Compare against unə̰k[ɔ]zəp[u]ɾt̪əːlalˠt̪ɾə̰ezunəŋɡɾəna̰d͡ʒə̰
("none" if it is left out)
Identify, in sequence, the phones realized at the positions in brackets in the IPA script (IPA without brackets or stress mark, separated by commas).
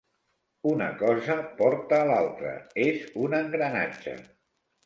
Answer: ɔ, ɔ